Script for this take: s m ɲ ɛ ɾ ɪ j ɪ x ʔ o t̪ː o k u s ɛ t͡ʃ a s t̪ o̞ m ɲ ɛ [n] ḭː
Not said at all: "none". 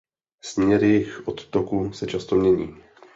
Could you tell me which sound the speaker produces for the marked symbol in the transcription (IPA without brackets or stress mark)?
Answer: ɲ